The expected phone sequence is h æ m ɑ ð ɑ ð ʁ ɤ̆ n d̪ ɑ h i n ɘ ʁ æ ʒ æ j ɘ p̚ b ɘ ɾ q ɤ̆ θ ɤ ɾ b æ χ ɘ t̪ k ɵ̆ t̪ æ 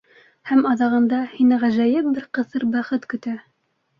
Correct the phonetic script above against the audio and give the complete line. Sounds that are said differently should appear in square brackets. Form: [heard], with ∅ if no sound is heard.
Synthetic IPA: h æ m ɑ ð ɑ [∅] ʁ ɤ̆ n d̪ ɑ h i n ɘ ʁ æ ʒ æ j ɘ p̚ b ɘ ɾ q ɤ̆ θ ɤ ɾ b æ χ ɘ t̪ k ɵ̆ t̪ æ